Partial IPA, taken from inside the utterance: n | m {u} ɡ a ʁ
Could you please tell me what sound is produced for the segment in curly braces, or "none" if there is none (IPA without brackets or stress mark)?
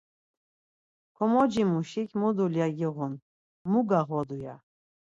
u